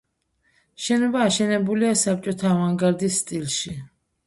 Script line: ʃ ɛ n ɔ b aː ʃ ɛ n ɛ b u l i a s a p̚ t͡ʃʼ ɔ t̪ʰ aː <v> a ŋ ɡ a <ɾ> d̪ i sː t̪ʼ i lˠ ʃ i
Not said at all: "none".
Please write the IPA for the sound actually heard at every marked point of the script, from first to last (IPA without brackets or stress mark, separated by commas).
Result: v, ɾ